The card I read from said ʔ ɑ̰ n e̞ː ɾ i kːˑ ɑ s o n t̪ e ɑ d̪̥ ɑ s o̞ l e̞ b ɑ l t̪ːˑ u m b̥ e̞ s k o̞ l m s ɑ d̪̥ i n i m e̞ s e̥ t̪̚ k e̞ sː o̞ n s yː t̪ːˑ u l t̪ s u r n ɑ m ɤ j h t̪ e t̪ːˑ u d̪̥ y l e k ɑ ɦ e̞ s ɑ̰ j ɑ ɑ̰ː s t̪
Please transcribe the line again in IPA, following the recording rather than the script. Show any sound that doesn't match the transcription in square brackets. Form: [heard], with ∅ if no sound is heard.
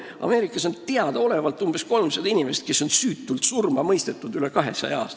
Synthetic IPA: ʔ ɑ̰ [m] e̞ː ɾ i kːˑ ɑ s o n t̪ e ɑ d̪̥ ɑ [∅] o̞ l e̞ [v] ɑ l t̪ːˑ u m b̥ e̞ s k o̞ l m s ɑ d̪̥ i n i m e̞ s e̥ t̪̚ k e̞ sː o̞ n s yː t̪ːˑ u l t̪ s u r [m] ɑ m ɤ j [s] t̪ e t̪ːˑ u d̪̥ y l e k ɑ ɦ e̞ s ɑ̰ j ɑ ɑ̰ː s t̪